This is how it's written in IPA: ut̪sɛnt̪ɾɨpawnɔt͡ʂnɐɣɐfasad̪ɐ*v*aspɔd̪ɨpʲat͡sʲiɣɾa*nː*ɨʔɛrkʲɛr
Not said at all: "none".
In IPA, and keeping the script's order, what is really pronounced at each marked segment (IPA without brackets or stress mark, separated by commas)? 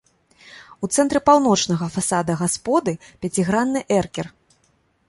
ɣ, nː